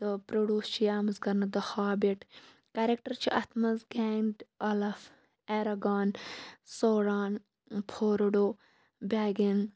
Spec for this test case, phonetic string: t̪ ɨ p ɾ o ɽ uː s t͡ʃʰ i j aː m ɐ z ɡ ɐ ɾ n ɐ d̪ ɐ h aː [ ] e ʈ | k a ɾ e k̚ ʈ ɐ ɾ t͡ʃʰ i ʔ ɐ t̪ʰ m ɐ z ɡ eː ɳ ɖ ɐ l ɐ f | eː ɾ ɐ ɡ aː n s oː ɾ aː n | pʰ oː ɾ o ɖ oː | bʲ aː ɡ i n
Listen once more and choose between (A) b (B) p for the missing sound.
A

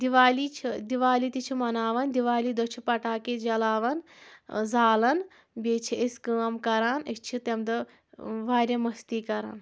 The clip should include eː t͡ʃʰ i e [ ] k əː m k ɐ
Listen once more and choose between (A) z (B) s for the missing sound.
B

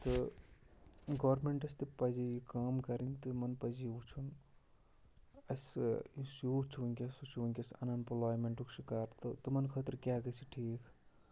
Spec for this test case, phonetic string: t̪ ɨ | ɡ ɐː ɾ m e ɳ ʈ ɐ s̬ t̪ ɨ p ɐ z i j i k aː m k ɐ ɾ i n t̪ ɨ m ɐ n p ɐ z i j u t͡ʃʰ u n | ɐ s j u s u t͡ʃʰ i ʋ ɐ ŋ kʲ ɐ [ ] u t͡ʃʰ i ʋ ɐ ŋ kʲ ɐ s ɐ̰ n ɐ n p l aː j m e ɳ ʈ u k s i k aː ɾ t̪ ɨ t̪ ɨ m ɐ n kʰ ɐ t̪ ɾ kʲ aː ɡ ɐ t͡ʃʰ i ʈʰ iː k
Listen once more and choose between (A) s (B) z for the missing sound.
A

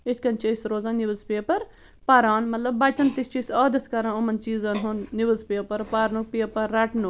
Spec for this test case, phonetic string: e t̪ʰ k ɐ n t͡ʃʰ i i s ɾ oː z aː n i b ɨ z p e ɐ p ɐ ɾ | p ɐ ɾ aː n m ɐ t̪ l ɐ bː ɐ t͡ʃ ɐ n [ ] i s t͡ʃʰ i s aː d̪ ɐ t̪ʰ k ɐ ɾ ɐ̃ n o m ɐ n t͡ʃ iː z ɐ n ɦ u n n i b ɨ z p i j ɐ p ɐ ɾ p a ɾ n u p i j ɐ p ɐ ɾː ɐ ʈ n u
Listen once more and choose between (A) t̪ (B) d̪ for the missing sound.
A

